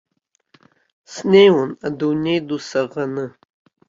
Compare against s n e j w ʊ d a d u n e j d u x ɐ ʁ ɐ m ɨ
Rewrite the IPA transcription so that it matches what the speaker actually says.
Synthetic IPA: s n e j w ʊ n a d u n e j d u s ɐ ʁ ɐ n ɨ